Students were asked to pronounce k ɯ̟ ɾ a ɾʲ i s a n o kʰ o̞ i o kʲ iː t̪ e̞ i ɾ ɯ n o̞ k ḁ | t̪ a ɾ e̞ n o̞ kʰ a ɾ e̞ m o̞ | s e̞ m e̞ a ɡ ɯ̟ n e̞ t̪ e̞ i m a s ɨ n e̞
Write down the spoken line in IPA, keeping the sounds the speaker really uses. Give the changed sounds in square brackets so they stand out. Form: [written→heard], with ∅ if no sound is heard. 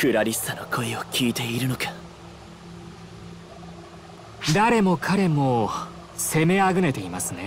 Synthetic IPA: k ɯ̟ ɾ a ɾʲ i s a n o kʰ o̞ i o kʲ iː t̪ e̞ i ɾ ɯ n o̞ k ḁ | [t̪→d̪] a ɾ e̞ [n→m] o̞ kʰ a ɾ e̞ m o̞ | s e̞ m e̞ a ɡ ɯ̟ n e̞ t̪ e̞ i m a s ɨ n e̞